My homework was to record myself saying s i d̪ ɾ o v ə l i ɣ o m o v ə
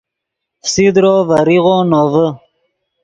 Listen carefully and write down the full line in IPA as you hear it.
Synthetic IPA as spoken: s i d̪ ɾ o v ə ɾ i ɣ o n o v ə